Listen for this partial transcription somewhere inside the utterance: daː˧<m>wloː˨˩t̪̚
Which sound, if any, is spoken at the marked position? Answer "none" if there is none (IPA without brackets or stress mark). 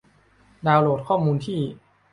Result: none